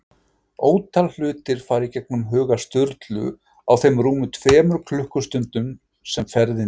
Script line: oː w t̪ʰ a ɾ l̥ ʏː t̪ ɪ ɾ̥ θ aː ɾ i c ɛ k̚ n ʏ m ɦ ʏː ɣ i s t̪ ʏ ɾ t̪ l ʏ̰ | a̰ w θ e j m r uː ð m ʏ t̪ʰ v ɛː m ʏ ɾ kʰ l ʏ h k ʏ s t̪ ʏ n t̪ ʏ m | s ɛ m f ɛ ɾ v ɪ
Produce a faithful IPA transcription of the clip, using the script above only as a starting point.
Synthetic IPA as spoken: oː w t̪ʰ a l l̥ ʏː t̪ ɪ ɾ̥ f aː ɾ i c ɛ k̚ n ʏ m ɦ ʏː ɣ a s t̪ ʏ ɾ t̪ l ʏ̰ | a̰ w θ e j m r uː m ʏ t̪ʰ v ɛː m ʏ ɾ kʰ l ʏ h k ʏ s t̪ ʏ n t̪ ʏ m | s ɛ m f ɛ ɾ ð ɪ